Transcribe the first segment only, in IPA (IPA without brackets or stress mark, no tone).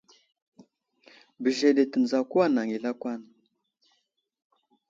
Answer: b